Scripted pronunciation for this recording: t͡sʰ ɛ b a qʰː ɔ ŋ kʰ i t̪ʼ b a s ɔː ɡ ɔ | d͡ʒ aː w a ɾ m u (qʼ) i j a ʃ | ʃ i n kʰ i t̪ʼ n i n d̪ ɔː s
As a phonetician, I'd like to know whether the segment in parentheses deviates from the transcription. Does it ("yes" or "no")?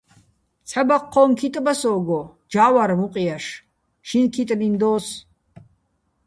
no